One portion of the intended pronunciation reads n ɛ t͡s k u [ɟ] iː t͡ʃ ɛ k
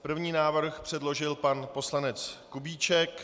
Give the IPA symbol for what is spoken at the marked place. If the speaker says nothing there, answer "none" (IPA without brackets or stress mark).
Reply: b